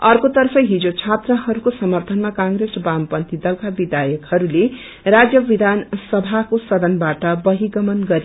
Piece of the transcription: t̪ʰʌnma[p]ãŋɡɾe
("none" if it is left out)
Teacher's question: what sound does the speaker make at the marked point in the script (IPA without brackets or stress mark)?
k